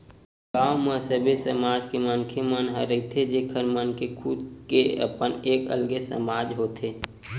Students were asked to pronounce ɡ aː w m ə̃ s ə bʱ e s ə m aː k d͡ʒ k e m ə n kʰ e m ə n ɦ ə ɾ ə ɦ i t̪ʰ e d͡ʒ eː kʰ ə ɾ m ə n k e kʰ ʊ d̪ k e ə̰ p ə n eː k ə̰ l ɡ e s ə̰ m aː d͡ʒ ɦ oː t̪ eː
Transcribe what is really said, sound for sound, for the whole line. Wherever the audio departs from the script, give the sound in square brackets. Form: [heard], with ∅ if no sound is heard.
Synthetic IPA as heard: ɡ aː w m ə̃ s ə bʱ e s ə m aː [∅] d͡ʒ k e m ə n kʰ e m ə n ɦ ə ɾ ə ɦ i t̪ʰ e d͡ʒ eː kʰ ə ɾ m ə n k e kʰ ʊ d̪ k e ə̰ p ə n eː k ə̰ l ɡ e s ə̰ m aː d͡ʒ ɦ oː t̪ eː